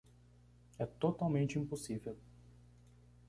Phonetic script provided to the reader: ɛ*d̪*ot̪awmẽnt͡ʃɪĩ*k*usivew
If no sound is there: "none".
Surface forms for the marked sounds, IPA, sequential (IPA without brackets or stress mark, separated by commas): t̪, p